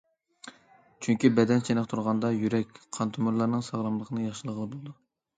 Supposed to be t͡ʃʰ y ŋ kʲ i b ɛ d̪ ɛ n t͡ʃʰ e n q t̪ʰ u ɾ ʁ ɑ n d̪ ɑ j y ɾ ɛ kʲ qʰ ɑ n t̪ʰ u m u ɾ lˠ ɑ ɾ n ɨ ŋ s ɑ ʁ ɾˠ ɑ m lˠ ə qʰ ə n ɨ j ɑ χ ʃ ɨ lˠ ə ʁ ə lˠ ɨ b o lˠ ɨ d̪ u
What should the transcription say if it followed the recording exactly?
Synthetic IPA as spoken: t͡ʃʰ y ŋ kʲ i b ɛ d̪ ɛ n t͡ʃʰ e n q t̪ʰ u ɾ ʁ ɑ n d̪ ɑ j y ɾ ɛ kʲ qʰ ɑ n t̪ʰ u m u ɾ lˠ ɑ ɾ n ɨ ŋ s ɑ ʁ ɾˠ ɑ m lˠ ə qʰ ə n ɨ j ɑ χ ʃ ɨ lˠ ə ʁ ə lˠ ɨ b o lˠ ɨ d̪ u